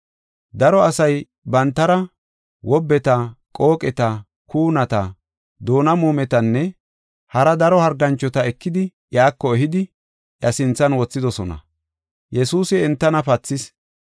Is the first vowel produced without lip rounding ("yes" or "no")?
yes